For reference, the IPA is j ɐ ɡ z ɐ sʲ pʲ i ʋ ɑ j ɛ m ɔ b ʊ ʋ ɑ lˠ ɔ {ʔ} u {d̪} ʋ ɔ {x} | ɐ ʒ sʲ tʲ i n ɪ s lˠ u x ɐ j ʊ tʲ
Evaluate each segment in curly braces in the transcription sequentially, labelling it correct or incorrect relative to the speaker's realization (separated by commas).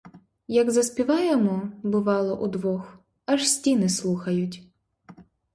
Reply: correct, correct, correct